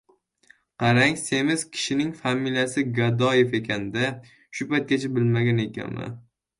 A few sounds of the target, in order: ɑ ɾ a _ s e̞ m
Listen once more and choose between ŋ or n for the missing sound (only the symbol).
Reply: ŋ